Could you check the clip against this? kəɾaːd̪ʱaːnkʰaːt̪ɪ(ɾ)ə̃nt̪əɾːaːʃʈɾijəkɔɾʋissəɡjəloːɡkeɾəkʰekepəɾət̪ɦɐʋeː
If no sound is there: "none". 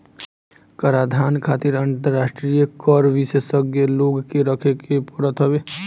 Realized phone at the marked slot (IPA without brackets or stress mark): ɾ